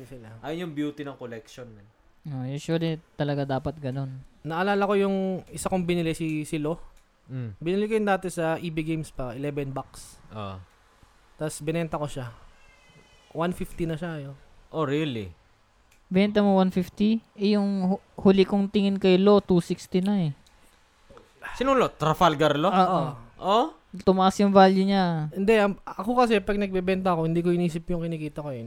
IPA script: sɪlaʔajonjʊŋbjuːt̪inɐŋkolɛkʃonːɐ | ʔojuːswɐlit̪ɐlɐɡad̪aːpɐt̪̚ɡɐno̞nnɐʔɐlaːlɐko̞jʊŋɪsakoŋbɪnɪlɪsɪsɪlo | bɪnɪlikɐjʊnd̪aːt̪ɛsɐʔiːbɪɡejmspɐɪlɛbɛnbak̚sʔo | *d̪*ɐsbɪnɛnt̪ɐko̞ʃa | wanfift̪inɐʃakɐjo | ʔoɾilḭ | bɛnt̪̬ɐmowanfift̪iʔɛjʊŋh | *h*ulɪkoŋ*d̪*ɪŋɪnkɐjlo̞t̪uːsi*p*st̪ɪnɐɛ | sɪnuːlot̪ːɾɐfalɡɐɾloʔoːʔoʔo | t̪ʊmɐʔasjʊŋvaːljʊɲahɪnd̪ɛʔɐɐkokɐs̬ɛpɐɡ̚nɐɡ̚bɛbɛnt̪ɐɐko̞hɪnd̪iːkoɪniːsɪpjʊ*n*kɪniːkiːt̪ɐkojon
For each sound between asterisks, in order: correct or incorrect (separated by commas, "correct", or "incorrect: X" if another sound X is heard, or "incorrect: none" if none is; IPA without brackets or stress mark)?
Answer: incorrect: t̪, correct, incorrect: t̪, incorrect: k, incorrect: ŋ